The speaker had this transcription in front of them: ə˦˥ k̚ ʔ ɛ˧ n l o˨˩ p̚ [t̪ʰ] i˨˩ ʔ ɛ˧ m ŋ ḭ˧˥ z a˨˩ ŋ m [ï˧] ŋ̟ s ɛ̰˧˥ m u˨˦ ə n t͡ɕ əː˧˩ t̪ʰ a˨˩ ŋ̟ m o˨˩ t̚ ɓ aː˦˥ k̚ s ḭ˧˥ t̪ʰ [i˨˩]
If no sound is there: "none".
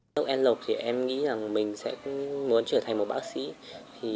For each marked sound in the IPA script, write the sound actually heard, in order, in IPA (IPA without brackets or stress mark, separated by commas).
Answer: t̪ʰ, ï˨˩, i˨˩